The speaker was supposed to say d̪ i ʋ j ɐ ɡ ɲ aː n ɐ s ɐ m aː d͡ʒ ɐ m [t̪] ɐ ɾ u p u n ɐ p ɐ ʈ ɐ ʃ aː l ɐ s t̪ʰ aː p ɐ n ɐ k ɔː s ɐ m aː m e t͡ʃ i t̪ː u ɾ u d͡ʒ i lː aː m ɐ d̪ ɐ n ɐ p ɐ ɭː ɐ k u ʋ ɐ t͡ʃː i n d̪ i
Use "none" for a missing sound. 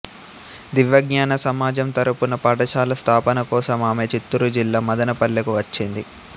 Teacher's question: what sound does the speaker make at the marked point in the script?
t̪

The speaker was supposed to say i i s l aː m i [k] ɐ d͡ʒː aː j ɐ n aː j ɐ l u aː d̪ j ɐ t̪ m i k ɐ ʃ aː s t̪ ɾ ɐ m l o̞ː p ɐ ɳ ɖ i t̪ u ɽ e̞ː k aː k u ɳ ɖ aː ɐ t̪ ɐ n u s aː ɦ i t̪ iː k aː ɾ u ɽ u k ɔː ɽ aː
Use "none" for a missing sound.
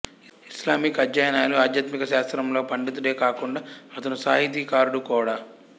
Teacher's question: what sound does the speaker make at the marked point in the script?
k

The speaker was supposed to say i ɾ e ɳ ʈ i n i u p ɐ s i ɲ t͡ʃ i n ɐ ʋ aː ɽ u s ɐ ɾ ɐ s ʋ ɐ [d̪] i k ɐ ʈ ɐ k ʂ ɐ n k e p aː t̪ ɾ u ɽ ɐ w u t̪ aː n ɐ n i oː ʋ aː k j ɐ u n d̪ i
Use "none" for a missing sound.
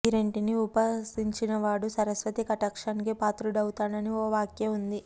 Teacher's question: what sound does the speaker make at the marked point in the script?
t̪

